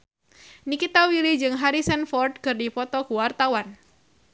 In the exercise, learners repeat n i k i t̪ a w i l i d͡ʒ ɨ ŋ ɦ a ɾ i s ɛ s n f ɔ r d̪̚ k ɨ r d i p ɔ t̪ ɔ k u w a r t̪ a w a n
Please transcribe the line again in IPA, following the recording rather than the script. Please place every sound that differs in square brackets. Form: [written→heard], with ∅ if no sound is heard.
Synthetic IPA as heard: n i k i t̪ a w i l i d͡ʒ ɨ ŋ ɦ a ɾ i s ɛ [s→∅] n f ɔ r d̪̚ k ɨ r d i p ɔ t̪ ɔ k u w a r t̪ a w a n